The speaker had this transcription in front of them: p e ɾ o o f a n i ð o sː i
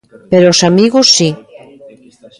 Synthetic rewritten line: p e ɾ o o s a m i ɣ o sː i